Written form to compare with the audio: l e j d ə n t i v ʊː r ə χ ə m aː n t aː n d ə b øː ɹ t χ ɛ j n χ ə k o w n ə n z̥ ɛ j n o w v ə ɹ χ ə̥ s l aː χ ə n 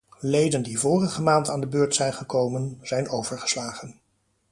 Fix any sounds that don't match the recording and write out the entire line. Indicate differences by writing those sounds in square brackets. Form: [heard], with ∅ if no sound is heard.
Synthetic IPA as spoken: l e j d ə n [d] i v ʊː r ə χ ə m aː n t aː n d ə b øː ɹ t [s] ɛ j n χ ə k o w [m] ə n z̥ ɛ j n o w v ə ɹ χ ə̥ s l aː χ ə n